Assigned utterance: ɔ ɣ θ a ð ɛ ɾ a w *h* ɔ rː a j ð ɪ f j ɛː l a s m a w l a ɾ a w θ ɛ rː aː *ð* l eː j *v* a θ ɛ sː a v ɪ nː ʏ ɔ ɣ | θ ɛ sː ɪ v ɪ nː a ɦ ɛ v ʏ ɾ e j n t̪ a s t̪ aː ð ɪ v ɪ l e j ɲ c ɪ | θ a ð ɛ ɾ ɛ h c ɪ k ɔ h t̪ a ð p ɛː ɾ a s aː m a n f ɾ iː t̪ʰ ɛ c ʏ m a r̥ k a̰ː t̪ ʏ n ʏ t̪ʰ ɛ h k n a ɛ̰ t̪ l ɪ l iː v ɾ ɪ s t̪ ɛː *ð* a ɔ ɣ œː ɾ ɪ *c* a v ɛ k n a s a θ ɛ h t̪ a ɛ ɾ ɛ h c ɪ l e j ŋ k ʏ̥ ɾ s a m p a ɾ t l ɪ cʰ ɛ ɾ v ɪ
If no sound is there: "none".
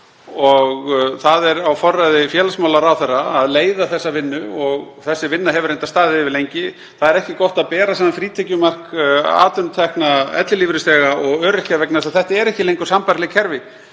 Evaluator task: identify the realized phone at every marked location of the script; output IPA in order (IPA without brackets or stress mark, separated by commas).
f, ð, ð, ɣ, c